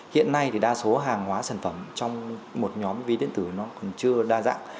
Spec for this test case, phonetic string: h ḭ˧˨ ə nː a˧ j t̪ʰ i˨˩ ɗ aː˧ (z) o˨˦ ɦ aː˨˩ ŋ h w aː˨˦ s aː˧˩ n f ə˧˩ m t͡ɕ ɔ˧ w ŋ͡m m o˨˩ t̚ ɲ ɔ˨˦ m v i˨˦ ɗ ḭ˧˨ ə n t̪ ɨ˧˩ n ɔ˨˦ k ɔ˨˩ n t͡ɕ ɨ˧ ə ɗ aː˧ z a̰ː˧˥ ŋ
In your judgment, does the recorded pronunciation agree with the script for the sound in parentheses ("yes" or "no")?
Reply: no